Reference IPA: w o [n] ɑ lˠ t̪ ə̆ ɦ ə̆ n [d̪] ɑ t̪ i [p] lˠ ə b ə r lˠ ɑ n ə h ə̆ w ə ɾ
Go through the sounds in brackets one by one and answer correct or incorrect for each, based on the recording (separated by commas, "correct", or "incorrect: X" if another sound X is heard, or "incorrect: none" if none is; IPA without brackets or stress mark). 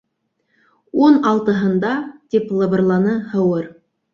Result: correct, correct, correct